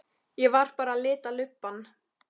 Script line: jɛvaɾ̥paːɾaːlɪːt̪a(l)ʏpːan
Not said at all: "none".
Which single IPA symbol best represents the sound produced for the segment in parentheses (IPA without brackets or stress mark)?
l